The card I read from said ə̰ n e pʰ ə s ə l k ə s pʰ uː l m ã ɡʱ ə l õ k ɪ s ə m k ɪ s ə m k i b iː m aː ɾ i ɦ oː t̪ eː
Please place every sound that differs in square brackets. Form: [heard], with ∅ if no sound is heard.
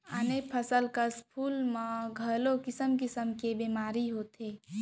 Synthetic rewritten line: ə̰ n e pʰ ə s ə l k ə s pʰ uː l m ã ɡʱ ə l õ k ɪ s ə m k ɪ s ə m k [e] b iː m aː ɾ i ɦ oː t̪ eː